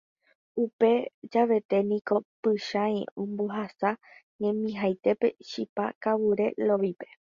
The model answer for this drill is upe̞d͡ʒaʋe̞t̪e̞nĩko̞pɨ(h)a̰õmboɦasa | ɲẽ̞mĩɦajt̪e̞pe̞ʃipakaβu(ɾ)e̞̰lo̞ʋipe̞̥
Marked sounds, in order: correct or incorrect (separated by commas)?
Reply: incorrect, correct